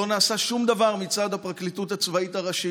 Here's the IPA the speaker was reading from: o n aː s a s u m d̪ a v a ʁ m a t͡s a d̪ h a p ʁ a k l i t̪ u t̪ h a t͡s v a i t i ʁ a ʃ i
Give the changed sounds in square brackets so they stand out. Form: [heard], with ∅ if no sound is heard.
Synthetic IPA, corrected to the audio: o n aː s a [ʃ] u m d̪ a v a ʁ m [i] t͡s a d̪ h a p ʁ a k l i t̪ u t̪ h a t͡s v a i t [a] ʁ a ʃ i